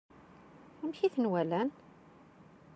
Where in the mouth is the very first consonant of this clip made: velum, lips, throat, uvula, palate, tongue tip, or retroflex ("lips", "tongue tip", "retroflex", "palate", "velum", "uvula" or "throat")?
lips